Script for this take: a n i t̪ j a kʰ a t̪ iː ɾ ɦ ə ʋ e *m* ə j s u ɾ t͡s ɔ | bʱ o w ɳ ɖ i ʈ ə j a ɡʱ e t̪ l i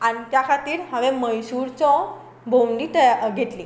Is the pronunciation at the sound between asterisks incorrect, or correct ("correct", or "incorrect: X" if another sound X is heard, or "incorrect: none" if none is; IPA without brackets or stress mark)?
correct